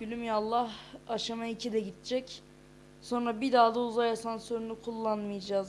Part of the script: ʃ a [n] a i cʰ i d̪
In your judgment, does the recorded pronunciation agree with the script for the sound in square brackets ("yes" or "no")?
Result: no